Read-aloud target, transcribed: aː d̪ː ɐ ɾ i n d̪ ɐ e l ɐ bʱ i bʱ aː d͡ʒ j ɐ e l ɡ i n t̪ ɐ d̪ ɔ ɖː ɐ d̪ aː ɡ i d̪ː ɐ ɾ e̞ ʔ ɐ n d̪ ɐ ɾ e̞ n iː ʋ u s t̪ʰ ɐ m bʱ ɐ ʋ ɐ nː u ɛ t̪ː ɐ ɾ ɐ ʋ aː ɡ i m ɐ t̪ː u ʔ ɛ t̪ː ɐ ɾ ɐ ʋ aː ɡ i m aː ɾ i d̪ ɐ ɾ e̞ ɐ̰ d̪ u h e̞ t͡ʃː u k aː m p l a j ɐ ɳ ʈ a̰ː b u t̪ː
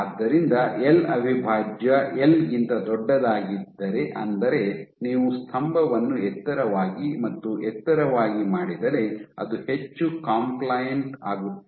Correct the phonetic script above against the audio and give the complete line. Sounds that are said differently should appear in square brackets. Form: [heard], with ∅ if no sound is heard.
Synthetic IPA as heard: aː d̪ː ɐ ɾ i n d̪ ɐ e l ɐ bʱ i bʱ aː d͡ʒ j ɐ e l ɡ i n t̪ ɐ d̪ ɔ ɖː ɐ d̪ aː ɡ i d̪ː ɐ ɾ e̞ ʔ ɐ n d̪ ɐ ɾ e̞ n iː ʋ u s t̪ʰ ɐ m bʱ ɐ ʋ ɐ nː u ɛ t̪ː ɐ ɾ ɐ ʋ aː ɡ i m ɐ t̪ː u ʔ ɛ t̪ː ɐ ɾ ɐ ʋ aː ɡ i m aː [ɽ] i d̪ ɐ ɾ e̞ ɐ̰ d̪ u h e̞ t͡ʃː u k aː m p l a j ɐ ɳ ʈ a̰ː [ɡ] u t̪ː